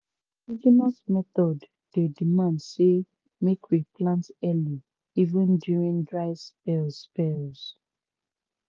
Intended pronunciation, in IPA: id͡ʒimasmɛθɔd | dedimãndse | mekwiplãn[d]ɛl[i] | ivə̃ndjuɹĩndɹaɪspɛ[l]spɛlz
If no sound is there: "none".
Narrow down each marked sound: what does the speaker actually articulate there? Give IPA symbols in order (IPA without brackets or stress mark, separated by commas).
t, i, l